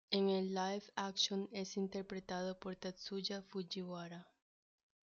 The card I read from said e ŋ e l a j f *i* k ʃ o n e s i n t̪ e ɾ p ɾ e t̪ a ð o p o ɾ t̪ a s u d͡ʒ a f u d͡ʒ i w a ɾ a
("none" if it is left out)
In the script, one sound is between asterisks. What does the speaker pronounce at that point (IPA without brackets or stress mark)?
a